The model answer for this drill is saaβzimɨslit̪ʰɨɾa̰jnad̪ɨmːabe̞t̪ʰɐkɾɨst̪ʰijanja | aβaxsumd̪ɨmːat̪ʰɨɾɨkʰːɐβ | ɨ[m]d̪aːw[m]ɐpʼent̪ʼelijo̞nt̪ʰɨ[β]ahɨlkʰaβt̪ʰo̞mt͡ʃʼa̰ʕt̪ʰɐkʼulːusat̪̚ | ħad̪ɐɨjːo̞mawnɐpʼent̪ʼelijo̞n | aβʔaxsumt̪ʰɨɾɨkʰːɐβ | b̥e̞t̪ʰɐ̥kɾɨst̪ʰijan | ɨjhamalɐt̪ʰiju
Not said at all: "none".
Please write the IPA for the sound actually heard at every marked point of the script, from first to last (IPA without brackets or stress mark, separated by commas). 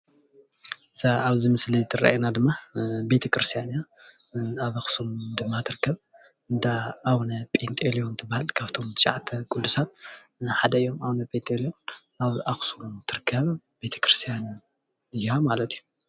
n, n, b